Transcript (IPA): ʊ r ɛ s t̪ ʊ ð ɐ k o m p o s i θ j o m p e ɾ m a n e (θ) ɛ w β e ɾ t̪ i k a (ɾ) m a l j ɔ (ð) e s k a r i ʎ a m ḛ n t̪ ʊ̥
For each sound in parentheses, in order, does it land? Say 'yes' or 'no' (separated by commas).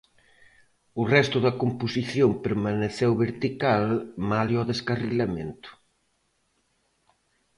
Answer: yes, no, yes